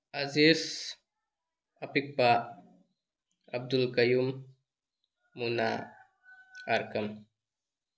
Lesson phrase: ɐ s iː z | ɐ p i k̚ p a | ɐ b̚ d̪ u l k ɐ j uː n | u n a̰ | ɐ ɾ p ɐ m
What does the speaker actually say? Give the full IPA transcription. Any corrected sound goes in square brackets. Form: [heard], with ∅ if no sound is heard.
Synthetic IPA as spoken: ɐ [z] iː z | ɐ p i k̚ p a | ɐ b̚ d̪ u l k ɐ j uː [m] | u n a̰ | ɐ ɾ [k] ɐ m